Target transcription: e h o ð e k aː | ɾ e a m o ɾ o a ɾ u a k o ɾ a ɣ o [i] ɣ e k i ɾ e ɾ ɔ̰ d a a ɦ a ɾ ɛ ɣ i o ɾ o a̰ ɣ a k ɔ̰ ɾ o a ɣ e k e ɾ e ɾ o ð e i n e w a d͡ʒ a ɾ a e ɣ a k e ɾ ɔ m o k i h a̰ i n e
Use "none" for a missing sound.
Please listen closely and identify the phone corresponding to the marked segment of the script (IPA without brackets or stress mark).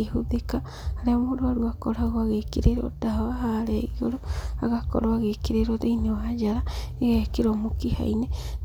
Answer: a